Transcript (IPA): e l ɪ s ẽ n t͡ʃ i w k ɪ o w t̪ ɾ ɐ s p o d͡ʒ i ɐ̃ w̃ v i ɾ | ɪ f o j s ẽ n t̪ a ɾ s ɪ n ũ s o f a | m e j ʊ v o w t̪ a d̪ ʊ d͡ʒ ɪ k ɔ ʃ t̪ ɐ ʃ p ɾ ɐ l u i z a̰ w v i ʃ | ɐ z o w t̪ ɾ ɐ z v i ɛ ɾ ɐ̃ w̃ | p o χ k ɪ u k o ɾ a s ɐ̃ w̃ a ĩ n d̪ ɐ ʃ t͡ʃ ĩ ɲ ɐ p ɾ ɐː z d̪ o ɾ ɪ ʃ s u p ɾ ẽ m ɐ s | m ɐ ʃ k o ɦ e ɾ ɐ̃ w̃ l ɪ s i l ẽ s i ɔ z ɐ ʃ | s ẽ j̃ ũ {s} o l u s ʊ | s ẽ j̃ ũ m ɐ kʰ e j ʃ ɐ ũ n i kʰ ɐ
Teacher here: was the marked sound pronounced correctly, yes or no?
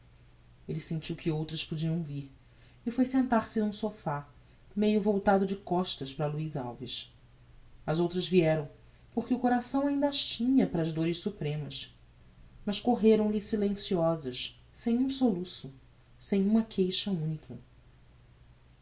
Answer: yes